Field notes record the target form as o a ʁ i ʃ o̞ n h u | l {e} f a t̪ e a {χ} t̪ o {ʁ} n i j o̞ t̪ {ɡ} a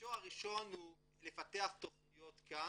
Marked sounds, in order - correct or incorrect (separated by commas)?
correct, correct, incorrect, incorrect